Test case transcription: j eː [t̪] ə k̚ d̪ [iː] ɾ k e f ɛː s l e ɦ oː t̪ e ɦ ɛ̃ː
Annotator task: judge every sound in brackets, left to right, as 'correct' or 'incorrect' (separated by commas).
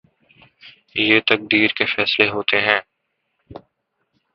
correct, correct